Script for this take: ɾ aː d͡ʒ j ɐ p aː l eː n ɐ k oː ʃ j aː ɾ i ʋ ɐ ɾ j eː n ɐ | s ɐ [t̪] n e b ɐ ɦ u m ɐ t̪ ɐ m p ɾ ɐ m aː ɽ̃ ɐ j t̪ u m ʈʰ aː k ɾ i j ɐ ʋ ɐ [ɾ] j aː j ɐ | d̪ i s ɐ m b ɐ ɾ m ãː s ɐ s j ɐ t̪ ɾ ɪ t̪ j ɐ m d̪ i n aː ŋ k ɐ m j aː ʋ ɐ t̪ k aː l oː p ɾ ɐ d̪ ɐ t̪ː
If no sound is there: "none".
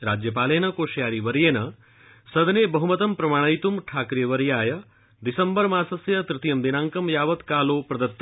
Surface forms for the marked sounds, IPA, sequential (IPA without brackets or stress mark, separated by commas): d̪, ɾ